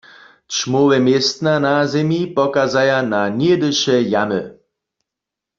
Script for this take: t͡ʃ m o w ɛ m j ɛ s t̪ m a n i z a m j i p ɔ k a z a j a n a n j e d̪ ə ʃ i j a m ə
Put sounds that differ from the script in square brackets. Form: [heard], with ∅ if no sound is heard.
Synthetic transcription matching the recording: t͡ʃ m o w ɛ m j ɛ s t̪ [n] a n [a] z [ɛ] m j i p ɔ k a z a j a n a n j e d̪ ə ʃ [ɛ] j a m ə